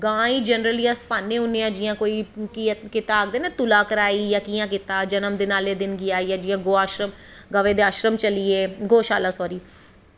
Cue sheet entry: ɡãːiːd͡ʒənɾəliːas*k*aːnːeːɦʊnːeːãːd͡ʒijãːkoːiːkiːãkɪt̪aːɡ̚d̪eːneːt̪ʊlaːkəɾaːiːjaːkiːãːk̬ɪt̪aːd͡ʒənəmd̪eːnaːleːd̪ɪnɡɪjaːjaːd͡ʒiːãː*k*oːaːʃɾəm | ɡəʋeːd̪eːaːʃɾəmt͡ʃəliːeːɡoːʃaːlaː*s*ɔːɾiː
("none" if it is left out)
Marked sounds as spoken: p, ɡ, s

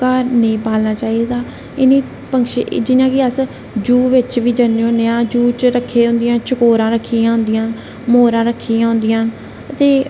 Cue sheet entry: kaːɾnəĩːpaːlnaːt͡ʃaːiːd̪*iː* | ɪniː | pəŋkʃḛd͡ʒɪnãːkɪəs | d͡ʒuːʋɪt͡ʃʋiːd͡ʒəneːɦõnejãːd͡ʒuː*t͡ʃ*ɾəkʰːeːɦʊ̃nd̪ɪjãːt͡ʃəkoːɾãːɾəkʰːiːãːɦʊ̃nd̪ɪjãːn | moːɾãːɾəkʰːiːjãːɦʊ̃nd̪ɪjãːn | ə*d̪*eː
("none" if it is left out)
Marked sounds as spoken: aː, t͡ʃ, t̪

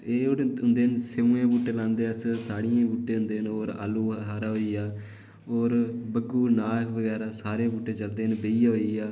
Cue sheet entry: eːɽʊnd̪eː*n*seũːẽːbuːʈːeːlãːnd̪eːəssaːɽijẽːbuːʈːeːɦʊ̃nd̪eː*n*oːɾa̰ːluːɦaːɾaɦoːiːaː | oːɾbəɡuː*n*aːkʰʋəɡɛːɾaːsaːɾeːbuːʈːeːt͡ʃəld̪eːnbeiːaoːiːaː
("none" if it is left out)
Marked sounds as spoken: n, n, n

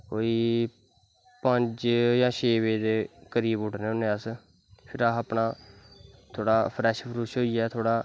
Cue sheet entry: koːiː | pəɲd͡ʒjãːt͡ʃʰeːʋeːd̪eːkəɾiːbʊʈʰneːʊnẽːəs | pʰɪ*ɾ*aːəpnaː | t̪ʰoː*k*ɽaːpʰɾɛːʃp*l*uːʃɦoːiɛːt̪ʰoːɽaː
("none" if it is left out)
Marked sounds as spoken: ɾ, none, ɾ

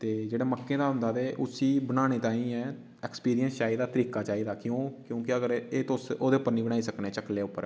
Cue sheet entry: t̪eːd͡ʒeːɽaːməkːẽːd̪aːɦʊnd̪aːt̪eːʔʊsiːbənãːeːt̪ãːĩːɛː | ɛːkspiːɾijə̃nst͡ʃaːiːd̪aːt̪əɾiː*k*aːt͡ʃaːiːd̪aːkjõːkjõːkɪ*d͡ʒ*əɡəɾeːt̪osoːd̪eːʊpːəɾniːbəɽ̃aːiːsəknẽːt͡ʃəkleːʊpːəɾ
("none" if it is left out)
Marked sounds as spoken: k, none

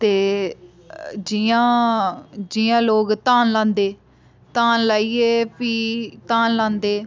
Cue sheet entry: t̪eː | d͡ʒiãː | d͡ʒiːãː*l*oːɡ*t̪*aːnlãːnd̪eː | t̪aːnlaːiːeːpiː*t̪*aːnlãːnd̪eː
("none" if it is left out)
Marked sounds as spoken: l, t̪, t̪

